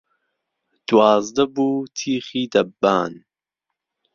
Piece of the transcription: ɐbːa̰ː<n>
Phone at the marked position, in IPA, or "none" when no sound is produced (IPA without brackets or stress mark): n